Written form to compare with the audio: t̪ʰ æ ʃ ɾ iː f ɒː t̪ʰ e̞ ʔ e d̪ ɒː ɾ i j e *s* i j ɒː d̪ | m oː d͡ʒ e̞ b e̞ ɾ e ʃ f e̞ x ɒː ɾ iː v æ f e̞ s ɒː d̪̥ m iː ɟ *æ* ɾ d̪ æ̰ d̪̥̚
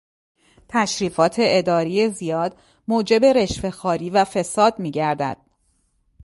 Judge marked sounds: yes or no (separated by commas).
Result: no, yes